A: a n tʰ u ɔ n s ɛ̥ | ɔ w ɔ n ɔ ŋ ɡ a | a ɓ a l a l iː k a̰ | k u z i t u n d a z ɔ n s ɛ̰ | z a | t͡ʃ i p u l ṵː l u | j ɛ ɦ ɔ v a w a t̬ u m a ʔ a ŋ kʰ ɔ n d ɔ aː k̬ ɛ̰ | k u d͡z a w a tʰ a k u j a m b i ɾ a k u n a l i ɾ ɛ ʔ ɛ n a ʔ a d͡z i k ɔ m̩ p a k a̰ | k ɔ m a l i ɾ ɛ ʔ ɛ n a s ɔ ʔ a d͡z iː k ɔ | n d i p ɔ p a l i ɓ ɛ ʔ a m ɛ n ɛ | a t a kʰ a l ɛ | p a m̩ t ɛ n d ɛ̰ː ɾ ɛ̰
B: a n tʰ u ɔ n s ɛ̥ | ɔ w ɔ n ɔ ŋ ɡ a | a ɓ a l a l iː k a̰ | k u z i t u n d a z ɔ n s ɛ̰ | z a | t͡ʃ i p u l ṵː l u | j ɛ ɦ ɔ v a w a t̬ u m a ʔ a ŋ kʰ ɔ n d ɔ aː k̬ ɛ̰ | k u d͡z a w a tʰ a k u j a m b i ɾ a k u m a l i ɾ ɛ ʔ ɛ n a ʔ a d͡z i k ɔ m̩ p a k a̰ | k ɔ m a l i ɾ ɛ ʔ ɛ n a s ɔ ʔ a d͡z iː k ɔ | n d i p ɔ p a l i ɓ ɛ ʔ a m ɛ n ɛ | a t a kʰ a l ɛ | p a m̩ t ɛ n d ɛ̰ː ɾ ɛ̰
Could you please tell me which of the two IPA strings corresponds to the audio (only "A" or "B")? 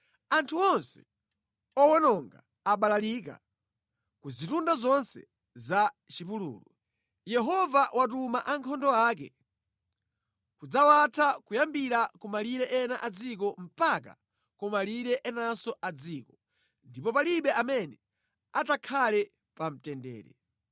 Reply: B